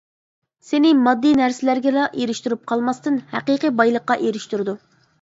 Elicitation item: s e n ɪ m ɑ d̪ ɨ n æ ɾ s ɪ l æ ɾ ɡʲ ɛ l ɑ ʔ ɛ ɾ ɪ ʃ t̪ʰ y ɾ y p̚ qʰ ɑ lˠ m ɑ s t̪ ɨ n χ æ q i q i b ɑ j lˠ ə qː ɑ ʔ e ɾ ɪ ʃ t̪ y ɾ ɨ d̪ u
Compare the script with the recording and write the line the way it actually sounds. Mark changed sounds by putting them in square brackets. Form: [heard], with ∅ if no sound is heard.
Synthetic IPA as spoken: s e n ɪ m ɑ [d̪ː] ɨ n æ ɾ s ɪ l æ ɾ ɡʲ ɛ l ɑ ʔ [e] ɾ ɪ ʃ [t̪] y ɾ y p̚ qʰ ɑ lˠ m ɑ s t̪ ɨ n [h] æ q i q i b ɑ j lˠ ə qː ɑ ʔ e ɾ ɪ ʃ t̪ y ɾ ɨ d̪ u